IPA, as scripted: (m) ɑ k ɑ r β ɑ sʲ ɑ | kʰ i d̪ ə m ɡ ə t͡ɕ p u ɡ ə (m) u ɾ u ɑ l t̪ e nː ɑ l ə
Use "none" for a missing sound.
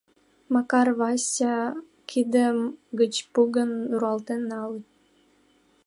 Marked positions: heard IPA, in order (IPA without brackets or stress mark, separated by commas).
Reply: m, n